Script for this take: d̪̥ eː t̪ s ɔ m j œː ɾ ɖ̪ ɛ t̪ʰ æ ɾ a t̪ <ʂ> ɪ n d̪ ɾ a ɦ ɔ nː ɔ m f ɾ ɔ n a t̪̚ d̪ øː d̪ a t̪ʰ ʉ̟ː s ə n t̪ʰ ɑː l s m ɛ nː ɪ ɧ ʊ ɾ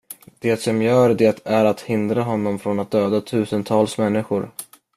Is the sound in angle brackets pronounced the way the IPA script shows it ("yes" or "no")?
no